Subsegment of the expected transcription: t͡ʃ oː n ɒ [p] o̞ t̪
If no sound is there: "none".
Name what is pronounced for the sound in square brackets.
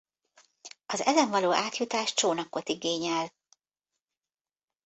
k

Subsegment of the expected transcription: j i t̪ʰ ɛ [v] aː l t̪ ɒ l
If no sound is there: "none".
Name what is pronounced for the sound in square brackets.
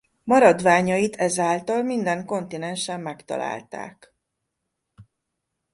z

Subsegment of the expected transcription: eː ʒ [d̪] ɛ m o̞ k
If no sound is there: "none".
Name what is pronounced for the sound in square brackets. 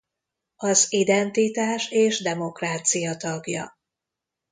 d̪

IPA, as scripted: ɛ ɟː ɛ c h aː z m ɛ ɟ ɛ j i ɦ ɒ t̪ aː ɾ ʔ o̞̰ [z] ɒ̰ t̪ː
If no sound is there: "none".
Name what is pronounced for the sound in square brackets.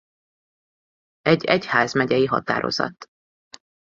z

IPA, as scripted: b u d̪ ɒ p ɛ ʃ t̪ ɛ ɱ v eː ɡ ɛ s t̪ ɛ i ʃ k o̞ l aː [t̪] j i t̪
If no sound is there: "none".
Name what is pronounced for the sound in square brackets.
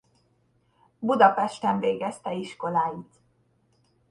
none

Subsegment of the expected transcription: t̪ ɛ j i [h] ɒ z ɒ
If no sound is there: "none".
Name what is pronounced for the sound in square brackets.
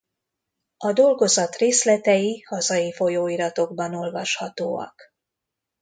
h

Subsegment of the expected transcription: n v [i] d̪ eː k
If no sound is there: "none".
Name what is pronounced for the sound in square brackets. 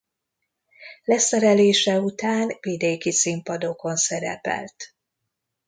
i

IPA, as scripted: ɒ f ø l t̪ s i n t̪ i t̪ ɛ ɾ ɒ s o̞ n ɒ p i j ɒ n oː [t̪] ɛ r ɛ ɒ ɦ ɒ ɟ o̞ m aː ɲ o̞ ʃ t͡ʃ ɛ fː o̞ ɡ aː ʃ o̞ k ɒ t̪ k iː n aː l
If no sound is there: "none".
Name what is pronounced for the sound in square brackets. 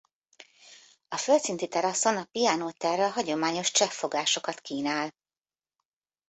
t̪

